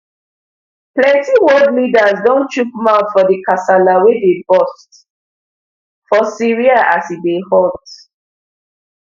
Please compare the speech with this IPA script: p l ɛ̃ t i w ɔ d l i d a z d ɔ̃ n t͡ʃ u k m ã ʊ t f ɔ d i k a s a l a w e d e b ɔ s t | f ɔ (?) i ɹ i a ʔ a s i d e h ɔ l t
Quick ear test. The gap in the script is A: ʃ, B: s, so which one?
B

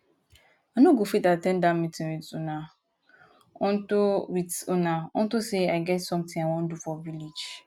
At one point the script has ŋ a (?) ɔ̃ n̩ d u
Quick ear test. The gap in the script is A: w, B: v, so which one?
A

